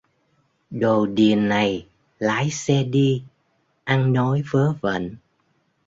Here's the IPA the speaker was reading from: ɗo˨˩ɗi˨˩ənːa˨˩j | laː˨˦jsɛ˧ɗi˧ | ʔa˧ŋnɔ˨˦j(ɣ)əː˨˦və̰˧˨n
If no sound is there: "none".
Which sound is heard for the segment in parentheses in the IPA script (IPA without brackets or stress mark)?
v